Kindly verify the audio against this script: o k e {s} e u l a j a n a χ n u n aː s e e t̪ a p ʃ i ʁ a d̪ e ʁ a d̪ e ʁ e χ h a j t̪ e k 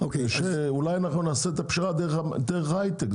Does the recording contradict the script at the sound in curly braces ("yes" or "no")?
yes